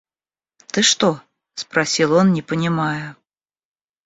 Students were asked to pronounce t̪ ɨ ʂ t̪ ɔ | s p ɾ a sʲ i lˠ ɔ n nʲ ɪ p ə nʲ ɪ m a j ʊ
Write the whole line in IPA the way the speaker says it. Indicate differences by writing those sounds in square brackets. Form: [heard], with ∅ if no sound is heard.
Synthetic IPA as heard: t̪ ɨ ʂ t̪ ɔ | s p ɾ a sʲ i lˠ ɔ n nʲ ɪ p ə nʲ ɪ m a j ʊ